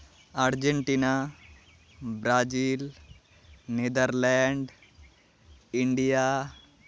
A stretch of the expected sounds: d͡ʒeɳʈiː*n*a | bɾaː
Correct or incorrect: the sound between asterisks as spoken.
correct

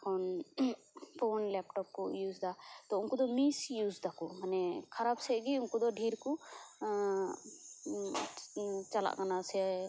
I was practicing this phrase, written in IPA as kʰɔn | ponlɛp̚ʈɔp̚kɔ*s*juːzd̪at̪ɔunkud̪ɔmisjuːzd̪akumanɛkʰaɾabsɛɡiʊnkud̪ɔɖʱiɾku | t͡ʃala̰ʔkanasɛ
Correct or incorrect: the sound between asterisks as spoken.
incorrect: none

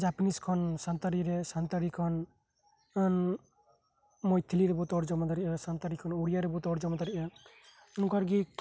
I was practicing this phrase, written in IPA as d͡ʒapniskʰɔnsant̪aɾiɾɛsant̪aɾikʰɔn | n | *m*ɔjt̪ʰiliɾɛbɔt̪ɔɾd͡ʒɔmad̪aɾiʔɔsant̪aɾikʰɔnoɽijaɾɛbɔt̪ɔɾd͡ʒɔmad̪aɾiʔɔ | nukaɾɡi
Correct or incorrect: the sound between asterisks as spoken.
correct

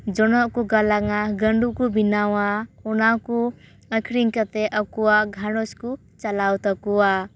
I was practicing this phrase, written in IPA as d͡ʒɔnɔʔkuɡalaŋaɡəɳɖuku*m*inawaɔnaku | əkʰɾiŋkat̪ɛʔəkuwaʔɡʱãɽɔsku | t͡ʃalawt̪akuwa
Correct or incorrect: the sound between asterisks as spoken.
incorrect: b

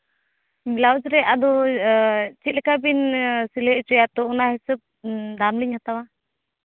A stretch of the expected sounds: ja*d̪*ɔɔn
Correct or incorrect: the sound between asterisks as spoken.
incorrect: t̪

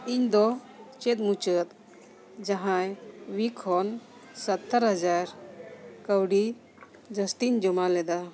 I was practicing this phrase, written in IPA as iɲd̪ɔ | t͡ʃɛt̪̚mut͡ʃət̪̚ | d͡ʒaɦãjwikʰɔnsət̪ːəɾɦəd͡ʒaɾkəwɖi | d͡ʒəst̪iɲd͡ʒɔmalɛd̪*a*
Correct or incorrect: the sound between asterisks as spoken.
correct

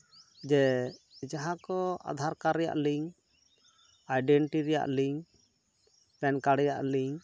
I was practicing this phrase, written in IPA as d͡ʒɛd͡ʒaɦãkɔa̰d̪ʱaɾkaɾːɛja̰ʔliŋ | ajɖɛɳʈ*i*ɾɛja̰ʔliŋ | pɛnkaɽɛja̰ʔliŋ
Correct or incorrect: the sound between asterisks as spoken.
correct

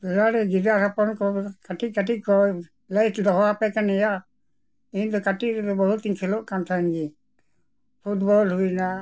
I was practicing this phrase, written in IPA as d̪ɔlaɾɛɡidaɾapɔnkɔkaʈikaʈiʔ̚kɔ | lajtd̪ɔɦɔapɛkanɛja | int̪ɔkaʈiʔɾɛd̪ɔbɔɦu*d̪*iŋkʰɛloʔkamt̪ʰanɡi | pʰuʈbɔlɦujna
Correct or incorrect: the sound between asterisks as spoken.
incorrect: t̪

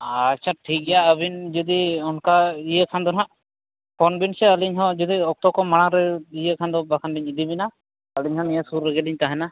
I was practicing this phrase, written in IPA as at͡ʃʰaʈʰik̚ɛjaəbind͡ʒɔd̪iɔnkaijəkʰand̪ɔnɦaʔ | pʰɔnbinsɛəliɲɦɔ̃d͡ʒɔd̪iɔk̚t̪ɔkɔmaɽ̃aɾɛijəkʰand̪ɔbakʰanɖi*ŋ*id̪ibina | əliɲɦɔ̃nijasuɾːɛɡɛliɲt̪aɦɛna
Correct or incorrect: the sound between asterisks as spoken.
incorrect: ɲ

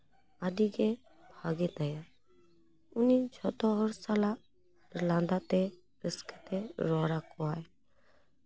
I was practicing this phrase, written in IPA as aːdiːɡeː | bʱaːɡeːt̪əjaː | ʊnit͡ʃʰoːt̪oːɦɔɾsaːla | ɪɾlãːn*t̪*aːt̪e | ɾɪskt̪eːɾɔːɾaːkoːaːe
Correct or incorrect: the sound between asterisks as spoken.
incorrect: d̪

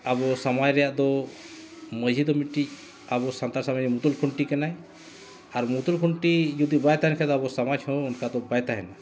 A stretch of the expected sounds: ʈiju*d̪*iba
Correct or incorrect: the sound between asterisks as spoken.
correct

